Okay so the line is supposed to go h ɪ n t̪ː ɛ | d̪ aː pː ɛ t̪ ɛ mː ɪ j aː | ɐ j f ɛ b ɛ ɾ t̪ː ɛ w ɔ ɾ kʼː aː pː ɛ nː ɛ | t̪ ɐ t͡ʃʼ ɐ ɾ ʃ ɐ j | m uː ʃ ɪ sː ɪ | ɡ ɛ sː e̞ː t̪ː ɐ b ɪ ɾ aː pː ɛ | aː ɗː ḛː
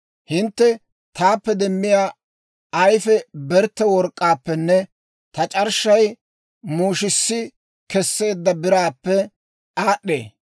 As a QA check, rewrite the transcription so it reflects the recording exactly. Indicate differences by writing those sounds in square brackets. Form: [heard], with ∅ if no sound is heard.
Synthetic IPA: h ɪ n t̪ː ɛ | [t̪] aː pː ɛ [d̪] ɛ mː ɪ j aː | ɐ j f ɛ b ɛ ɾ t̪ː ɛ w ɔ ɾ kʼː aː pː ɛ nː ɛ | t̪ ɐ t͡ʃʼ ɐ ɾ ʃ ɐ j | m uː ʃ ɪ sː ɪ | [k] ɛ sː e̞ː [d̪ː] ɐ b ɪ ɾ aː pː ɛ | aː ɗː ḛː